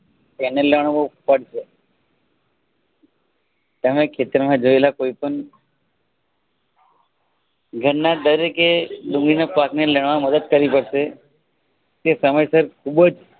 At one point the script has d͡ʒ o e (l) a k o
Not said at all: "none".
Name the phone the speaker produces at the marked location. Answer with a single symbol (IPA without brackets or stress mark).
l